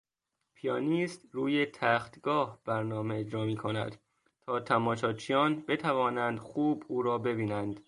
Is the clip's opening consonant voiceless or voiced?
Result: voiceless